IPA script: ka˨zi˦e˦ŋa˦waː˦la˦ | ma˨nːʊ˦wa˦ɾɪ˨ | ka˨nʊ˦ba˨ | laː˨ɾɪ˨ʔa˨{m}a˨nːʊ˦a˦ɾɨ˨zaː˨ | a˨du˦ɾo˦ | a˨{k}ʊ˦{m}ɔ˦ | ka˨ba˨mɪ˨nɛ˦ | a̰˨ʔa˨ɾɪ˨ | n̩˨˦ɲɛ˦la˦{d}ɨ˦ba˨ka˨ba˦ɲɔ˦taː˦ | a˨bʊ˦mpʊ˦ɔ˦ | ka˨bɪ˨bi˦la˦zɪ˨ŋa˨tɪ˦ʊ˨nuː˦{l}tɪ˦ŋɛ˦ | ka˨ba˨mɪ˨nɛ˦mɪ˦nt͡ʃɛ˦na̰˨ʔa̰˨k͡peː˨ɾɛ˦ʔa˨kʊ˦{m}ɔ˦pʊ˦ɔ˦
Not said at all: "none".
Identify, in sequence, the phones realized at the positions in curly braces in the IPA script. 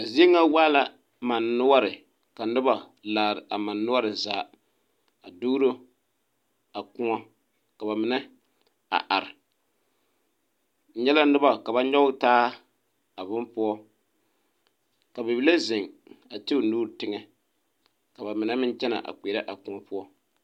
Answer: m, k, ŋ, n, ɾ, ŋ

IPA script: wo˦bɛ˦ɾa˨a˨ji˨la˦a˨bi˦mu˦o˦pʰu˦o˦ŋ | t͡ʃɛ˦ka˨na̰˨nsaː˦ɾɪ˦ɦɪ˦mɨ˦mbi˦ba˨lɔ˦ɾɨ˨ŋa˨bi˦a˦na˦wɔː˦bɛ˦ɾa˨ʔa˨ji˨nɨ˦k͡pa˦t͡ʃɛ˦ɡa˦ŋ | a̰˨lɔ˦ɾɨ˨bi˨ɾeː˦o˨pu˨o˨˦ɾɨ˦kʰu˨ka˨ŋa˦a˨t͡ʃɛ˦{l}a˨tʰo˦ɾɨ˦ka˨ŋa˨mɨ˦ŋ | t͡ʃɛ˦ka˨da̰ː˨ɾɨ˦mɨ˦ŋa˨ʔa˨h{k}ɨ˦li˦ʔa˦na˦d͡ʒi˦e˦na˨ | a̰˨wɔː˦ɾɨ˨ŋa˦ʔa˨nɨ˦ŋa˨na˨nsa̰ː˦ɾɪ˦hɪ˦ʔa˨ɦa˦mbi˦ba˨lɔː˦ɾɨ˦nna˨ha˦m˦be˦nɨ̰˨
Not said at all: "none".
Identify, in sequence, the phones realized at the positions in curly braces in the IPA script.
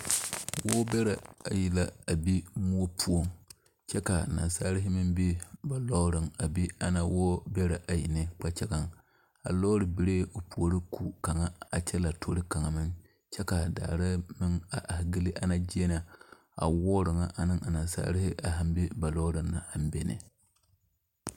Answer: l, ɡ

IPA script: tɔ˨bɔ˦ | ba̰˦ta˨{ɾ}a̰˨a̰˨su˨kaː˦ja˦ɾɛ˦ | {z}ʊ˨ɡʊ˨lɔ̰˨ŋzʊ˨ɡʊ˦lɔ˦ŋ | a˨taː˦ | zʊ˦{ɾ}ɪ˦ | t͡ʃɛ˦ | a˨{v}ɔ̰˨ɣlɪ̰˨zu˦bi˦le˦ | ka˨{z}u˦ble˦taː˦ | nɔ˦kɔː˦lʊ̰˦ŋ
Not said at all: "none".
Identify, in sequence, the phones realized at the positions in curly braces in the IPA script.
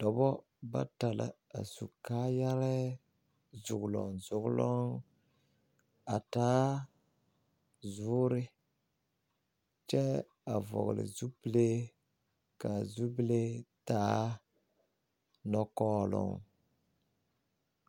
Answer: l, z, ɾ, v, z

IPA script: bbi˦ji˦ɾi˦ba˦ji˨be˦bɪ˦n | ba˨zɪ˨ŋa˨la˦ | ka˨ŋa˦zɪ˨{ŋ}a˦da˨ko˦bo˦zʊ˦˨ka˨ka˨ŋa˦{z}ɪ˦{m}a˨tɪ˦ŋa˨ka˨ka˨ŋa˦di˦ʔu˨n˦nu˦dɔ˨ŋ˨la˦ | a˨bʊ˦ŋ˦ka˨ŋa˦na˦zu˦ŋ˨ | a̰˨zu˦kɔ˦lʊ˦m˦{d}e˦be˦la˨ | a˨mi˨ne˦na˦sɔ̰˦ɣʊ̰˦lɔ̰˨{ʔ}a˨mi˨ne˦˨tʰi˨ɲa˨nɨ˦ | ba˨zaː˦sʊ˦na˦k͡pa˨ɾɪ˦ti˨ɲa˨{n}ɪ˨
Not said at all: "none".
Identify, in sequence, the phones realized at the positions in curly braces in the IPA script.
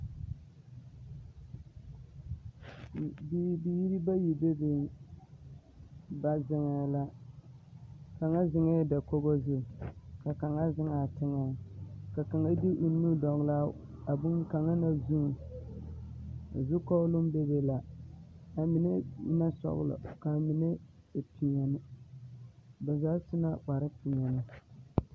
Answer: ŋ, z, ŋ, b, k, n

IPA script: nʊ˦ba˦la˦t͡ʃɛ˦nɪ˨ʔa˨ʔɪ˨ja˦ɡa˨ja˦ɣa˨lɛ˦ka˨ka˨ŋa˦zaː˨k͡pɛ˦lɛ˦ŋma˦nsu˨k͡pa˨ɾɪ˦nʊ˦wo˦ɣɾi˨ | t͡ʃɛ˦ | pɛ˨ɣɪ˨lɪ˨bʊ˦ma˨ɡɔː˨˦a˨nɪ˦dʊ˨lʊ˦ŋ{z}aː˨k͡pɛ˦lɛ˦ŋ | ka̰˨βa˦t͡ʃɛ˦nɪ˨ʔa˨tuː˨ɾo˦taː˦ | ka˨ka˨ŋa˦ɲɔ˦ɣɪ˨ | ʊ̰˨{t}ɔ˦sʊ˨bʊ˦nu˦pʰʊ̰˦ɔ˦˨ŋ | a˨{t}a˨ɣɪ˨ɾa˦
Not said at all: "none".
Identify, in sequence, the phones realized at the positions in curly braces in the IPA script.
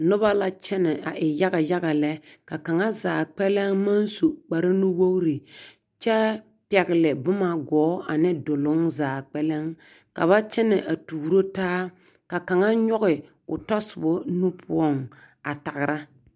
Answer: z, t, t

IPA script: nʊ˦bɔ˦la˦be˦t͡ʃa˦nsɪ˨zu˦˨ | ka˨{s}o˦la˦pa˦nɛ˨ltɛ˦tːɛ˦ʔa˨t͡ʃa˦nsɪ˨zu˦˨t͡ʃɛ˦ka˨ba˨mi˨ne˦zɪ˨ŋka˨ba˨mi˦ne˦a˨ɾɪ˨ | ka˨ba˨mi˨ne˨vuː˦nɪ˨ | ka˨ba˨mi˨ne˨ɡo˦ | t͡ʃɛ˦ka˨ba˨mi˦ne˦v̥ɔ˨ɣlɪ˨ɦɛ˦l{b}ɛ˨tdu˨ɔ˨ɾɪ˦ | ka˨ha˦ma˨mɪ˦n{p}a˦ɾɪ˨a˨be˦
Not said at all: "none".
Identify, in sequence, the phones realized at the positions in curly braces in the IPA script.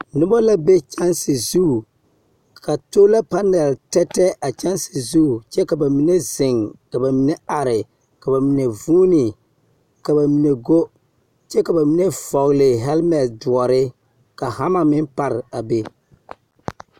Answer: t, m, p

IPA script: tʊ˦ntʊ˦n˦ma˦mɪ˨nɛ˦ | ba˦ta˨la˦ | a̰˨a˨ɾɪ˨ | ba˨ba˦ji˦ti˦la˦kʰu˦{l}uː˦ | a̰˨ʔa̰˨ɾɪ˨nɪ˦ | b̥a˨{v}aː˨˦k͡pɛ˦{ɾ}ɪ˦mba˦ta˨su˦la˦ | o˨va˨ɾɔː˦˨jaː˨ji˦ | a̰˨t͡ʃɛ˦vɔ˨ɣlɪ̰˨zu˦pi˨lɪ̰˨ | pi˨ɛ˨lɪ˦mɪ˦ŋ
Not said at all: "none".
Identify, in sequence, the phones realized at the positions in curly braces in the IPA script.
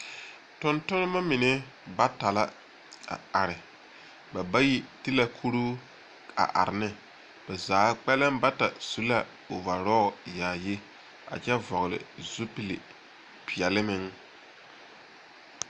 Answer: ɾ, z, l

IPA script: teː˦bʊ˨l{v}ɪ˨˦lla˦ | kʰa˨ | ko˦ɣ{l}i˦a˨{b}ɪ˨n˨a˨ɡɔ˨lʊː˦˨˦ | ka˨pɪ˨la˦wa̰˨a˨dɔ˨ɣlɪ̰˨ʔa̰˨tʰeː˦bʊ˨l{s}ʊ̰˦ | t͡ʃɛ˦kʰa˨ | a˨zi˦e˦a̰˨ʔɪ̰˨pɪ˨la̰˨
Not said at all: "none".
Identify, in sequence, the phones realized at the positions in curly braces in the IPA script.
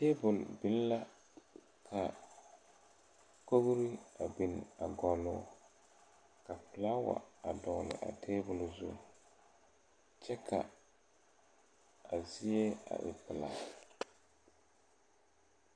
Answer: b, ɾ, b, z

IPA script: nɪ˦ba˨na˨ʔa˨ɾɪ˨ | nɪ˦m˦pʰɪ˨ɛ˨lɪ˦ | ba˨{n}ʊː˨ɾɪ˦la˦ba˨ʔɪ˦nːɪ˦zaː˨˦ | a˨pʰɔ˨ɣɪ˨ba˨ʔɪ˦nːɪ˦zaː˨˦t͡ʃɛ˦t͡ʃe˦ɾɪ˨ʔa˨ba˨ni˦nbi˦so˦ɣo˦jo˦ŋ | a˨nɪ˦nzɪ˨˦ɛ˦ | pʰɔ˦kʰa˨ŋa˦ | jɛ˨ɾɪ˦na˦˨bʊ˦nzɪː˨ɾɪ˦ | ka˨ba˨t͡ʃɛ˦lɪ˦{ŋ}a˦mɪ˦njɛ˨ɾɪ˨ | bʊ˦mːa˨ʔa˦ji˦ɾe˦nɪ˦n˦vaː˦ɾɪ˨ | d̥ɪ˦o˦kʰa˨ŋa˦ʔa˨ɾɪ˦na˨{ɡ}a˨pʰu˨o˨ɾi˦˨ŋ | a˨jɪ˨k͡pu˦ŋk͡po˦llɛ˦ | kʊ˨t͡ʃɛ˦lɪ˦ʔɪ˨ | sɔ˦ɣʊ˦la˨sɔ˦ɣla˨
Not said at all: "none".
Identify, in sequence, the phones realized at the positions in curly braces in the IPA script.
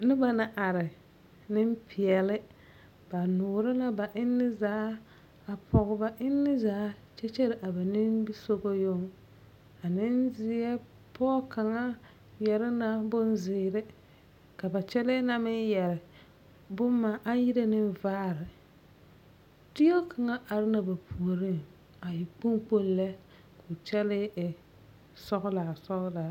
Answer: n, n, b

